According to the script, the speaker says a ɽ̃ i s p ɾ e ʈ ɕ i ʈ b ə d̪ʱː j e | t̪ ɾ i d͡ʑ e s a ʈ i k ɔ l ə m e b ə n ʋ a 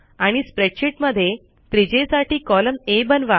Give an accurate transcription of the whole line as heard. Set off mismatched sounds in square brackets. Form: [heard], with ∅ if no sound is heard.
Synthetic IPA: a ɽ̃ i s p ɾ e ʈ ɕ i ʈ [m] ə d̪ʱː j e | t̪ ɾ i d͡ʑ e s a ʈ [iː] k ɔ l ə m e b ə n ʋ a